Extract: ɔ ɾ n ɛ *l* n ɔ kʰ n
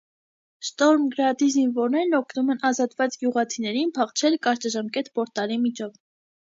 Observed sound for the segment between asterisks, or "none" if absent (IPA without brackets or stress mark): ɾ